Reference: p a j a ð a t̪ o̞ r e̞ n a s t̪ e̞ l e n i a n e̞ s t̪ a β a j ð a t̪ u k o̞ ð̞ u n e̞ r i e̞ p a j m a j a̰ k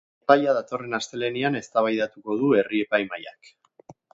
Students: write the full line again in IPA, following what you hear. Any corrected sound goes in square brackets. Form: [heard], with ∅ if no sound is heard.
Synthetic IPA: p a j a ð a t̪ o̞ r e̞ n a s t̪ e̞ l e n i a n e̞ s t̪ a β a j ð a t̪ u k o̞ ð̞ u [∅] e̞ r i e̞ p a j m a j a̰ k